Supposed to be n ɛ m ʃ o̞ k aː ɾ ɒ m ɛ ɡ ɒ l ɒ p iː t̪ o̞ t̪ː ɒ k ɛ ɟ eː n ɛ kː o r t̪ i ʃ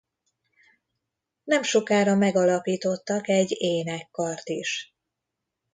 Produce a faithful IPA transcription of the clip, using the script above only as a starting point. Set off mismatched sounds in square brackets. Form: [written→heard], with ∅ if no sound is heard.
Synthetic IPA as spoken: n ɛ m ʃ o̞ k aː ɾ ɒ m ɛ ɡ ɒ l ɒ p iː t̪ o̞ t̪ː ɒ k ɛ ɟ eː n ɛ kː [o→ɒ] r t̪ i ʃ